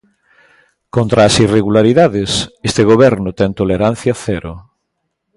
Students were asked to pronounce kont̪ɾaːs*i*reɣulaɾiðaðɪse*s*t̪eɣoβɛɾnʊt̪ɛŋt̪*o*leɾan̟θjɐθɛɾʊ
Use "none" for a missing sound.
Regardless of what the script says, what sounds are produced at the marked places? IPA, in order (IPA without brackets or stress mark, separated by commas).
i, s, o